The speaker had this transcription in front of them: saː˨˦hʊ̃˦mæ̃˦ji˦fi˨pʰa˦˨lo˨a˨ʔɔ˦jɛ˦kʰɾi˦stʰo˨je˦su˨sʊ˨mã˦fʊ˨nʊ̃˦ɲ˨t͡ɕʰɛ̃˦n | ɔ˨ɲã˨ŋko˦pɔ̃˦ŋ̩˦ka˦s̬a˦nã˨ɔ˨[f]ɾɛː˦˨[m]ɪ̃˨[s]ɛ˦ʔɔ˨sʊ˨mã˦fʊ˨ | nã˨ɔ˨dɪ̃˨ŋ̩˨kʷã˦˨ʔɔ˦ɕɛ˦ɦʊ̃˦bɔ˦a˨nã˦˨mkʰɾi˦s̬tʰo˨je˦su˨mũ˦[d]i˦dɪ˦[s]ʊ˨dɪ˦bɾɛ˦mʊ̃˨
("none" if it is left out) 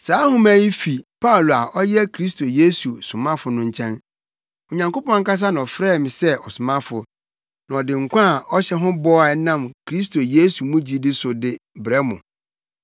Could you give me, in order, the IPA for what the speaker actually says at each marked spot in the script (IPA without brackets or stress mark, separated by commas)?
f, m, s, d͡ʑ, s